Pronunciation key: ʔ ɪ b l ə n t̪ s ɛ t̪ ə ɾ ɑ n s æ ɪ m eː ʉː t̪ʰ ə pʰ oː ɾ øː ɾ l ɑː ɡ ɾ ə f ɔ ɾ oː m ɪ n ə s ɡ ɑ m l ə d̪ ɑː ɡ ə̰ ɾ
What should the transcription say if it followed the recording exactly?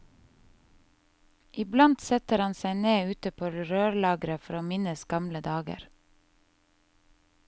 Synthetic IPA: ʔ ɪ b l ɑ n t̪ s ɛ t̪ ə ɾ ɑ n s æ ɪ n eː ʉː t̪ ə pʰ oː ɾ øː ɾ l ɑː ɡ ɾ ə f ɔ ɾ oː m ɪ n ə s ɡ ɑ m l ə d̪ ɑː ɡ ə̰ ɾ